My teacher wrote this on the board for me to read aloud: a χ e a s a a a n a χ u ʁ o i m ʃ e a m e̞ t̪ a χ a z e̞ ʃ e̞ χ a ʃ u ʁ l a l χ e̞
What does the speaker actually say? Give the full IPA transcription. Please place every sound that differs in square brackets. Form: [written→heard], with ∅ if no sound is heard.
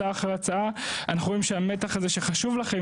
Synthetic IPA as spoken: a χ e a [s→t͡s] a a a n a χ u ʁ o i m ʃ e a m e̞ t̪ a χ a z e̞ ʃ e̞ χ a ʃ u [ʁ→v] l a [l→∅] χ e̞